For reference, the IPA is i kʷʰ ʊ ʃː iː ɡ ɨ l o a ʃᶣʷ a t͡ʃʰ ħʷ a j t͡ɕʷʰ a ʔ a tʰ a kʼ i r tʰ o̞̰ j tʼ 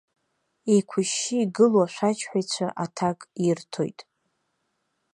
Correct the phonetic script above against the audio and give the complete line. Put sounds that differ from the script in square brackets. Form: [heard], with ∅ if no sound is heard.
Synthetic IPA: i kʷʰ ʊ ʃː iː ɡ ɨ l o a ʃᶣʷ a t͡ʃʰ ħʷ a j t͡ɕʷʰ a ʔ a tʰ a kʼ i r tʰ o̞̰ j tʼ